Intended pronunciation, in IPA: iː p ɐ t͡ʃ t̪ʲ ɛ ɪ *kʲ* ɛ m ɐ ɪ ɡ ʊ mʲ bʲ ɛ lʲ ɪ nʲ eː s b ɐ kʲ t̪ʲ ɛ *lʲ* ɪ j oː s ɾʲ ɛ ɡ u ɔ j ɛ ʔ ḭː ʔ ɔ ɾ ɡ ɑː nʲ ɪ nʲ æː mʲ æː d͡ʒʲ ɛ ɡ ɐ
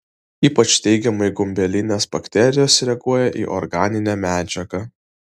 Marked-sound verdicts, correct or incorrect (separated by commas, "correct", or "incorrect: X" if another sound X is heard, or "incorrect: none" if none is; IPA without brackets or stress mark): incorrect: ɡʲ, incorrect: ɾʲ